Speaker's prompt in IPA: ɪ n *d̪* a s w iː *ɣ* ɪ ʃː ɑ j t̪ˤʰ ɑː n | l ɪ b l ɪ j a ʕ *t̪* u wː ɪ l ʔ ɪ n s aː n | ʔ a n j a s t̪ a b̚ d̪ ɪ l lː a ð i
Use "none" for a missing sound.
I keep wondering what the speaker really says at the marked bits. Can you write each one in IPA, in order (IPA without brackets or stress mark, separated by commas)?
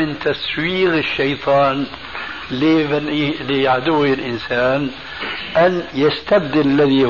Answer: t̪, ɣ, d̪